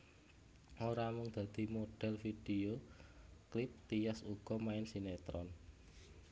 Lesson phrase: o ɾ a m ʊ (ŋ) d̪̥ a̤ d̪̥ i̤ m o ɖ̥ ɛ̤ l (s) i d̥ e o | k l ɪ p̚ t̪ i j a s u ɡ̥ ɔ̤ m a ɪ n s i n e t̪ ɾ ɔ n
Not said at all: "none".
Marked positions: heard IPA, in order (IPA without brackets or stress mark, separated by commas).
ŋ, f